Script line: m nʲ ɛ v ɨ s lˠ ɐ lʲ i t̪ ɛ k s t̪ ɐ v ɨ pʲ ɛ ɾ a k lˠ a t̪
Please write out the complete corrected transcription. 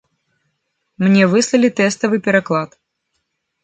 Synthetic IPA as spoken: m nʲ ɛ v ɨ s lˠ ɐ lʲ i t̪ ɛ s t̪ ɐ v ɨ pʲ ɛ ɾ a k lˠ a t̪